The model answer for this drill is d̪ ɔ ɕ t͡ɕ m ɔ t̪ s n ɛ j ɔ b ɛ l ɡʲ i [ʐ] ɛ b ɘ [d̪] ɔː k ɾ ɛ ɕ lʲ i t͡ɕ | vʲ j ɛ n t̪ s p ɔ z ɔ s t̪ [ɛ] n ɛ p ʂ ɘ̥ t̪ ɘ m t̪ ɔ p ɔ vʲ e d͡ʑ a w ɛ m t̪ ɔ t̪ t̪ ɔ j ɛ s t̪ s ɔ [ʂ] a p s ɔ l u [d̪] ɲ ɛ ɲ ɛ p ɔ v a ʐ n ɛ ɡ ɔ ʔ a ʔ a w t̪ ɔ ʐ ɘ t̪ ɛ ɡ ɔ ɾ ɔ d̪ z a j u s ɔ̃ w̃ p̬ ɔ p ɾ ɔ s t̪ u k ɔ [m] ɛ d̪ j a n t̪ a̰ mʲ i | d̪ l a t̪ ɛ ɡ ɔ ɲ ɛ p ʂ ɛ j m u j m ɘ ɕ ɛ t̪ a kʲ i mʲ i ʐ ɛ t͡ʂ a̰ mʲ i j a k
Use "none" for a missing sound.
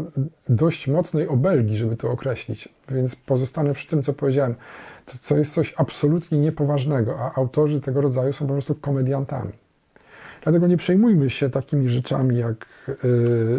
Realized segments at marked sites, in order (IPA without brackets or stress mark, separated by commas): ʐ, t̪, a, ɕ, t̪, m